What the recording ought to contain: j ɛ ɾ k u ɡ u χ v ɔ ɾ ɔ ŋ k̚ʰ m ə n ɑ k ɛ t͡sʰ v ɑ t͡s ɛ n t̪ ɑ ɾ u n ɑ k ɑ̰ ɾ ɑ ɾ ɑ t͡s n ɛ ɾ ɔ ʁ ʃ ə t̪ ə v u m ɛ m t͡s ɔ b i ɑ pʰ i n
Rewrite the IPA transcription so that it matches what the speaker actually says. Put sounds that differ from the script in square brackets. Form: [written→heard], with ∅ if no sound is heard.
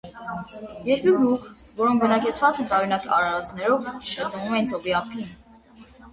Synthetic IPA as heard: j ɛ ɾ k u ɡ u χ v ɔ ɾ ɔ ŋ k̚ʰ [m→b] ə n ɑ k ɛ t͡sʰ v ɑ t͡s ɛ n t̪ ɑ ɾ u n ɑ k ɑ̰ ɾ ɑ ɾ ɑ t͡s n ɛ ɾ ɔ [ʁ→v] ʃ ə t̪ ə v u m ɛ [m→n] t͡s ɔ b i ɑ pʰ i n